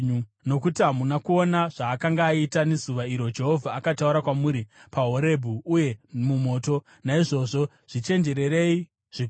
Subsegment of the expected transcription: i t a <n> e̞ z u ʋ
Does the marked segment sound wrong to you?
no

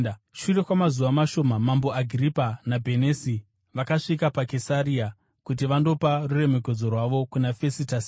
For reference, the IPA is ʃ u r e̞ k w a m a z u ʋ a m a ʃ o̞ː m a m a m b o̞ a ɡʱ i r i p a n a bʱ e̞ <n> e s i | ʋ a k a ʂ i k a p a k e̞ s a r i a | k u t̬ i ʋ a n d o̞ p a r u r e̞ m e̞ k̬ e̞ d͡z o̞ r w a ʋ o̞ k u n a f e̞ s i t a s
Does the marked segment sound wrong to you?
no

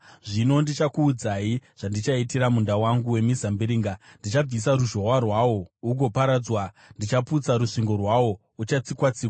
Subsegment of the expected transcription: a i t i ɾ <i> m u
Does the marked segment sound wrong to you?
yes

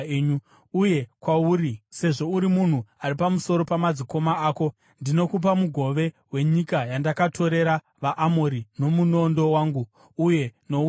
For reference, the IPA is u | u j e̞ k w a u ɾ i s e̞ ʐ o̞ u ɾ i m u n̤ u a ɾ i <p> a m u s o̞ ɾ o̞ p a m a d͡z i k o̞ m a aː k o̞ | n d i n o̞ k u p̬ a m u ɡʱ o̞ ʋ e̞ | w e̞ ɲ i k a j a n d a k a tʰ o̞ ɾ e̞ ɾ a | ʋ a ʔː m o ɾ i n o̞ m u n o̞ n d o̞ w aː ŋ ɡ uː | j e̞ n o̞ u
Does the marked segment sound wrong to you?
no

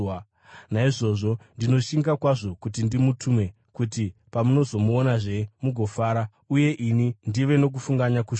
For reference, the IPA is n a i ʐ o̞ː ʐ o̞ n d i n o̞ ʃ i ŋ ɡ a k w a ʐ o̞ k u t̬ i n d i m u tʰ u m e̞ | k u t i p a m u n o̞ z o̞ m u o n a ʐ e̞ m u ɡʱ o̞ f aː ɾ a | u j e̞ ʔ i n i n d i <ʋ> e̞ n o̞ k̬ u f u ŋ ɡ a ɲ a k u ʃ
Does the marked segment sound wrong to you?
no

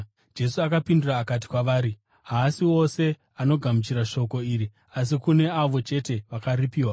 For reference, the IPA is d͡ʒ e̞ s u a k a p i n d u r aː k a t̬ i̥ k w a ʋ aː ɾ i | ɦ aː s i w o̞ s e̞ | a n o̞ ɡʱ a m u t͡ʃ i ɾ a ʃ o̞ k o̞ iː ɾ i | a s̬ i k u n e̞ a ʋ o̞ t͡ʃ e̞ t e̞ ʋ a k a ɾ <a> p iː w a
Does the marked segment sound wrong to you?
yes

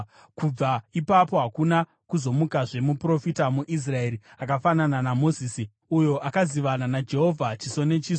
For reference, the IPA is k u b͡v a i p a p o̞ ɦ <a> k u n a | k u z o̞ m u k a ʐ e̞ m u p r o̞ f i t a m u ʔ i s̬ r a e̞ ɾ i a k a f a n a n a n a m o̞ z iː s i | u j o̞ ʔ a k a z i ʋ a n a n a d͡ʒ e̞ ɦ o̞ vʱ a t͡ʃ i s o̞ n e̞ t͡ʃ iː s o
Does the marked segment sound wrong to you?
no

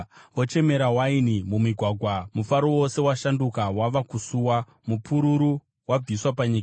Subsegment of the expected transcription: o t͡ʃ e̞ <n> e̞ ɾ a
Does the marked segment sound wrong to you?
yes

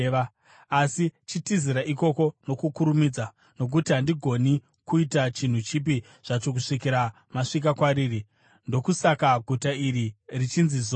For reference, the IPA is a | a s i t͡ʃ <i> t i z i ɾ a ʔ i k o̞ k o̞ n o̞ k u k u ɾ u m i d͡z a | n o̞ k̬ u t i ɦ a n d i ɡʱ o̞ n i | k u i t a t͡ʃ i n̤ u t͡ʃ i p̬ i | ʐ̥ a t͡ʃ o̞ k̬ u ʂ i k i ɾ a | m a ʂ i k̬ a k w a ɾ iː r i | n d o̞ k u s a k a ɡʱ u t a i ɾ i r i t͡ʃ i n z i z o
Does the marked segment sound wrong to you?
no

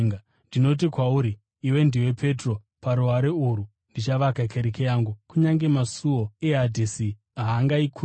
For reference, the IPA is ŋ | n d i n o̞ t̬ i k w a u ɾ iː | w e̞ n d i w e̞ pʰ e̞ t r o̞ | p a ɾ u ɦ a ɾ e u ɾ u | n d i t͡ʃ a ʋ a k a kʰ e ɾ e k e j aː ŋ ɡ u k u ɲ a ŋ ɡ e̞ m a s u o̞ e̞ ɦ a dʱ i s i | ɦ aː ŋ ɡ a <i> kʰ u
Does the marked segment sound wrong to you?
no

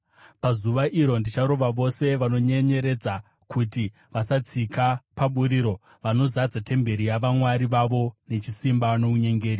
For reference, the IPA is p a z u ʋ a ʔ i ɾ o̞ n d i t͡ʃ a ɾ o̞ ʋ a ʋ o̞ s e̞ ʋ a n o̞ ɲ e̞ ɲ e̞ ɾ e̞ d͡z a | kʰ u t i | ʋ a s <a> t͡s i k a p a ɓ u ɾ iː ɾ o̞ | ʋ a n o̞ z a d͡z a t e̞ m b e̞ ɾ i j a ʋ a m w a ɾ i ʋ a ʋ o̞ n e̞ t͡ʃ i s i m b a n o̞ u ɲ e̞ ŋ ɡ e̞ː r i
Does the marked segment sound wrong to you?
no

